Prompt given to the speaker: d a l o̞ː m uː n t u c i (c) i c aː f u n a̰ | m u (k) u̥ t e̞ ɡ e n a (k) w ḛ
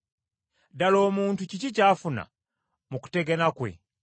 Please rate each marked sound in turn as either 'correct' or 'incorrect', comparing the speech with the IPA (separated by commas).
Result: correct, correct, correct